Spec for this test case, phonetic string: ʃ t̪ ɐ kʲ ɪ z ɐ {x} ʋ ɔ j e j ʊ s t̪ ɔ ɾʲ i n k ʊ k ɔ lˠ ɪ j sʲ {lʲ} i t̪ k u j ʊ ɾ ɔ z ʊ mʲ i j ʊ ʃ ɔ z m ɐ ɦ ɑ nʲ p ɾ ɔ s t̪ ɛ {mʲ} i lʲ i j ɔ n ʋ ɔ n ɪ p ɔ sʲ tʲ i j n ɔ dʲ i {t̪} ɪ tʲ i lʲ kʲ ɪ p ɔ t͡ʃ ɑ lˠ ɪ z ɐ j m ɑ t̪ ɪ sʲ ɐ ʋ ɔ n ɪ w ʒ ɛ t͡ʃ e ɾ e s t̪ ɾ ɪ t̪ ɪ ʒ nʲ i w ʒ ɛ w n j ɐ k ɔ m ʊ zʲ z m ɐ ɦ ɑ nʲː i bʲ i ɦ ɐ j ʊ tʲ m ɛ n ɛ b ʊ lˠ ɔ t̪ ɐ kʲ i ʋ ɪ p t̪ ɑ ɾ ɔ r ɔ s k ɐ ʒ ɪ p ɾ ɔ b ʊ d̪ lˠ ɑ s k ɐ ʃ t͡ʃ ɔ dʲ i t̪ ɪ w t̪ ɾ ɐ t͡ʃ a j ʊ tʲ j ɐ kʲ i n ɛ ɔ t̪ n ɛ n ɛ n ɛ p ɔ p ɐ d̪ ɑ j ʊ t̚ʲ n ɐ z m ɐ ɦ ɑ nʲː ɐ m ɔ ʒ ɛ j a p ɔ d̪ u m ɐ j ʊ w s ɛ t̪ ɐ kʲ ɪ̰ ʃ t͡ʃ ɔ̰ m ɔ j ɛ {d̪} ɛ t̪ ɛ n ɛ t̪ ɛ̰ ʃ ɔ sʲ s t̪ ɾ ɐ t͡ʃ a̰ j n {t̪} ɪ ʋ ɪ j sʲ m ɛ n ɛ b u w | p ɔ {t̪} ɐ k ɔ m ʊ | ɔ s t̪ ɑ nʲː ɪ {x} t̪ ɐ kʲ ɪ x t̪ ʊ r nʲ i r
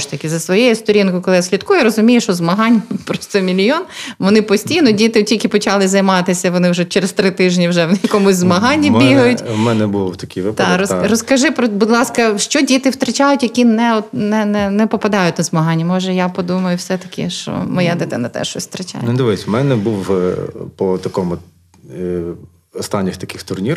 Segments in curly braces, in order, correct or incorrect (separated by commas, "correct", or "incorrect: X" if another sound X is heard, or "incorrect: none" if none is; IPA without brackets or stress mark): incorrect: s, correct, correct, correct, correct, incorrect: d̪, correct, correct